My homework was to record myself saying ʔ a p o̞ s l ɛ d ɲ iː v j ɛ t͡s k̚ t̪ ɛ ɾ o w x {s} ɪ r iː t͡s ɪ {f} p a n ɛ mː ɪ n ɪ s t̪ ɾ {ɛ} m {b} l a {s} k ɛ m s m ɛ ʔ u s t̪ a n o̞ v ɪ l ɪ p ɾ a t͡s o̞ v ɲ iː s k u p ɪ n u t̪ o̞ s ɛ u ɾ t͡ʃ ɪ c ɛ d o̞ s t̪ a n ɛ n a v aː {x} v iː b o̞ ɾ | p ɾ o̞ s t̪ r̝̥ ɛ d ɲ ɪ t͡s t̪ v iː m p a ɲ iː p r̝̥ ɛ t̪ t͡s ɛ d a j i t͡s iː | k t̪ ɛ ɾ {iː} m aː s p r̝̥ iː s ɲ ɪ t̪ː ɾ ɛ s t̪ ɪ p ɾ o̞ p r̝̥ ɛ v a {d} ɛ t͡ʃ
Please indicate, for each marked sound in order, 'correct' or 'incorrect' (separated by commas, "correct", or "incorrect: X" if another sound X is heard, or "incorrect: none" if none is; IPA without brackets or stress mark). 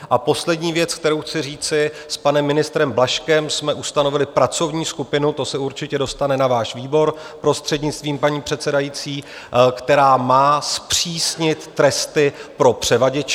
incorrect: t͡s, incorrect: s, correct, correct, incorrect: ʃ, incorrect: ʃ, incorrect: aː, incorrect: ɟ